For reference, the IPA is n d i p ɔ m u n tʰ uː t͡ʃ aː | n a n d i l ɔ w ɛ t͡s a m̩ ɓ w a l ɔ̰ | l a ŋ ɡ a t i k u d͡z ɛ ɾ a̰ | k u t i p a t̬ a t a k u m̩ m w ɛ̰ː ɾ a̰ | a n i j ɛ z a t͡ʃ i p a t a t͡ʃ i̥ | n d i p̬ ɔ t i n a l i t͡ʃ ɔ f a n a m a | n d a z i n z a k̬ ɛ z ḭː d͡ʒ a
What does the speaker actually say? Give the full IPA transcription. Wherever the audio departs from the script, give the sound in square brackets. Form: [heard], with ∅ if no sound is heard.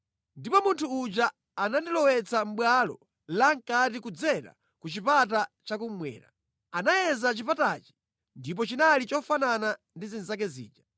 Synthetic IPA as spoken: n d i p ɔ m u n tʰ uː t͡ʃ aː | n a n d i l ɔ w ɛ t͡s a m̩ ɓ w a l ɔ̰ | l a ŋ [k] a t i k u d͡z ɛ ɾ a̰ | k u [t͡ʃ] i p a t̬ a [t͡ʃ] a k u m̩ m w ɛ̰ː ɾ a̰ | a n [a] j ɛ z a t͡ʃ i p a t a t͡ʃ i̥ | n d i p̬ ɔ [t͡ʃ] i n a l i t͡ʃ ɔ f a n a [n] a | n d [i] z i n z a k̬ ɛ z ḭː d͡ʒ a